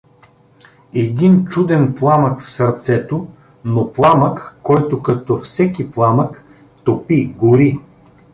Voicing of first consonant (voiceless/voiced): voiced